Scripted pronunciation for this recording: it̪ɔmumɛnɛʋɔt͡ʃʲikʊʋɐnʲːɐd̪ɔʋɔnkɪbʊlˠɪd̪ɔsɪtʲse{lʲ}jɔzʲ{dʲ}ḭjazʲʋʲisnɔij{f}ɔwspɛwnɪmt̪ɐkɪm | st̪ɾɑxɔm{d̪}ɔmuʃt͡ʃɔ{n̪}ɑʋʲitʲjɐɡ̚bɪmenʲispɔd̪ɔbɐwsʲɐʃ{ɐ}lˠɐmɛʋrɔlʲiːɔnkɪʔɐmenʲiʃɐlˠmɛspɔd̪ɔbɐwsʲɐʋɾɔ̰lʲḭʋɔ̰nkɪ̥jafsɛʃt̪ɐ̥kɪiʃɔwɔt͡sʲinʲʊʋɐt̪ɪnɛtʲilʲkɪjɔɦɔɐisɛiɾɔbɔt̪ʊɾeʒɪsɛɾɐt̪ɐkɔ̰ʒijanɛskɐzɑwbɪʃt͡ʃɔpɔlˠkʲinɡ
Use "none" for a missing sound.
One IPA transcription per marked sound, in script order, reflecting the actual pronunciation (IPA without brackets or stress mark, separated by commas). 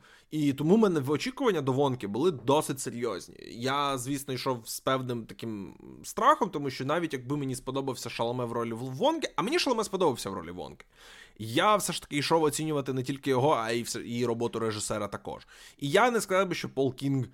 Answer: ɾʲ, nʲ, ʃ, t̪, n̪, ɐ